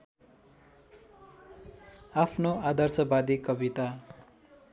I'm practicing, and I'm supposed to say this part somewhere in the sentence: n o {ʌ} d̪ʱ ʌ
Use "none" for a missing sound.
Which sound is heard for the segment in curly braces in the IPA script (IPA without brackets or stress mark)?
a